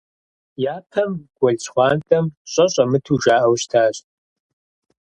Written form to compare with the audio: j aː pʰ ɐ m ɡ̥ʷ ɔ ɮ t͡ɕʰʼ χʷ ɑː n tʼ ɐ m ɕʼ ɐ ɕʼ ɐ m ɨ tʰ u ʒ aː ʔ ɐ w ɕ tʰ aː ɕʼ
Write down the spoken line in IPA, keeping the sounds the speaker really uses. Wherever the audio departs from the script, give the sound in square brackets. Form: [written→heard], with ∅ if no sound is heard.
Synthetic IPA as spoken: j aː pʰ ɐ m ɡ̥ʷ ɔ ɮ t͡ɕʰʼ χʷ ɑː n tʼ ɐ m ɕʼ ɐ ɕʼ ɐ m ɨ tʰ u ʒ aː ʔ ɐ w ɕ tʰ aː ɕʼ